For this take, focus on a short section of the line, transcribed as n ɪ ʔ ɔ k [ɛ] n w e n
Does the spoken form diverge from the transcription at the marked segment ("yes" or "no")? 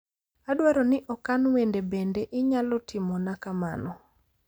yes